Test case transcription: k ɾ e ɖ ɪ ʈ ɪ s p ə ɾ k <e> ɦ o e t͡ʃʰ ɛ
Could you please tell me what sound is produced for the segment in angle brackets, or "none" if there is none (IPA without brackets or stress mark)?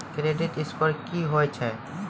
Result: i